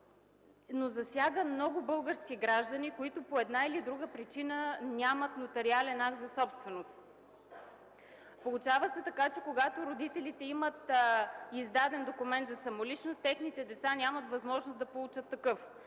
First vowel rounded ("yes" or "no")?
yes